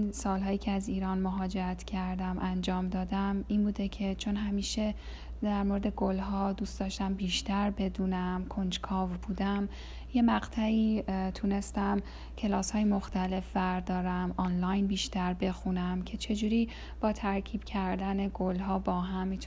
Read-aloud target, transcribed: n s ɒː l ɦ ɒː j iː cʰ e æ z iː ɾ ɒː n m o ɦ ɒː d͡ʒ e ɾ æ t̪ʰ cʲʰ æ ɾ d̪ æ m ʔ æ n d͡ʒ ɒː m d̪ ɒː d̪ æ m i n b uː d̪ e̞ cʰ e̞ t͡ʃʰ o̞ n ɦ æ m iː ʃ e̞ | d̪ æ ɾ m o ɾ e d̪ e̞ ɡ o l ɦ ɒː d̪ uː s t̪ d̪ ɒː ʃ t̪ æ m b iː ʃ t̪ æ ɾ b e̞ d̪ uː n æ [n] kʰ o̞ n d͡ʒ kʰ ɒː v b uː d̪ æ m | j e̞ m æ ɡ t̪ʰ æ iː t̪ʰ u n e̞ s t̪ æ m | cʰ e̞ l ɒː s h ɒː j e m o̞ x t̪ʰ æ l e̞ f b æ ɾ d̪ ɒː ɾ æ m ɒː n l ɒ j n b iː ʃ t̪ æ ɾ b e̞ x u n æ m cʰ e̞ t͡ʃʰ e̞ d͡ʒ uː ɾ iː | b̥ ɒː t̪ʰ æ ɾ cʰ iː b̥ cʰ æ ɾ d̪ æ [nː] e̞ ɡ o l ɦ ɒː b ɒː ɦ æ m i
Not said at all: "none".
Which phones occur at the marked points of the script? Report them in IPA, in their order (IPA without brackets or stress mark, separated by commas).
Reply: m, n